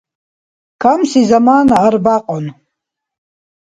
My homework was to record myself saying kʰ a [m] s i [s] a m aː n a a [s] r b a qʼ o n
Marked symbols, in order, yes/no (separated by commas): yes, no, no